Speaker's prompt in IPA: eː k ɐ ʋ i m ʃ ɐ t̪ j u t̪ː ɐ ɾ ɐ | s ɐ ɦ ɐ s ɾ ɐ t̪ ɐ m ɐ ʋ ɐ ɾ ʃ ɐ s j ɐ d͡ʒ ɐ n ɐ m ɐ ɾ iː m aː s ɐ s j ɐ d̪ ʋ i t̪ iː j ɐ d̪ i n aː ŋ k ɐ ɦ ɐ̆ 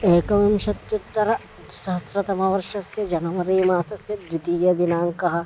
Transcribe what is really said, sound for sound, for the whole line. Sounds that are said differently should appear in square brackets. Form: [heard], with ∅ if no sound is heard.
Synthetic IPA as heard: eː k ɐ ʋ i m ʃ ɐ t̪ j u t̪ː ɐ ɾ ɐ | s ɐ ɦ ɐ s ɾ ɐ t̪ ɐ m ɐ ʋ ɐ ɾ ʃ ɐ s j ɐ d͡ʒ ɐ n ɐ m ɐ ɾ iː m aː s ɐ s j ɐ d̪ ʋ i t̪ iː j ɐ d̪ i n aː ŋ k ɐ ɦ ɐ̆